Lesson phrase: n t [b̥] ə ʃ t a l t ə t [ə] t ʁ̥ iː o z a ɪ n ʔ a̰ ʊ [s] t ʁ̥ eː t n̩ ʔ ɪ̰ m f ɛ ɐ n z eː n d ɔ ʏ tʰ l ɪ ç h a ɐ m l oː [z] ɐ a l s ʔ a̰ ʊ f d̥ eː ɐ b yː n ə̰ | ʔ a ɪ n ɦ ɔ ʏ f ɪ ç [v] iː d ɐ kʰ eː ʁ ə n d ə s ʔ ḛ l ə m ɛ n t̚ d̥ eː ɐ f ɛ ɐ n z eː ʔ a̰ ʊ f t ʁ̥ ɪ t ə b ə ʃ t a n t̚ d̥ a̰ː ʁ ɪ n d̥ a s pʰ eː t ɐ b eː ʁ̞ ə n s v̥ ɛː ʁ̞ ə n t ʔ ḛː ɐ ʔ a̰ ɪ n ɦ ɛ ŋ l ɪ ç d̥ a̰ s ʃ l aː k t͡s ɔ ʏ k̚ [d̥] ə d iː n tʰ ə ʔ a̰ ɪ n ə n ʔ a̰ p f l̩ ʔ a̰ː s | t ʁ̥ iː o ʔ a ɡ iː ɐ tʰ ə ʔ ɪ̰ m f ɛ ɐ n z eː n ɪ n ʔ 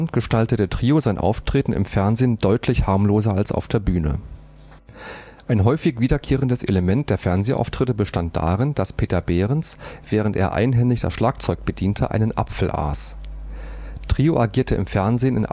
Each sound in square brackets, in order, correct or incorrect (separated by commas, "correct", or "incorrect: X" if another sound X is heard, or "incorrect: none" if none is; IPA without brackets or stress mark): incorrect: ɡ̥, correct, incorrect: f, correct, correct, incorrect: b̥